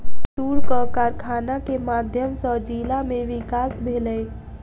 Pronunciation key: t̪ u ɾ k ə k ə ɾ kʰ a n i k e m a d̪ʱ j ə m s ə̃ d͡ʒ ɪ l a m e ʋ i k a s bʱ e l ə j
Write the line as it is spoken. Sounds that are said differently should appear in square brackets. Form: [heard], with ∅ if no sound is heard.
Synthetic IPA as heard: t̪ u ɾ k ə k [a] ɾ kʰ a n [a] k e m a d̪ʱ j ə m s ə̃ d͡ʒ [i] l a m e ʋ i k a s bʱ e l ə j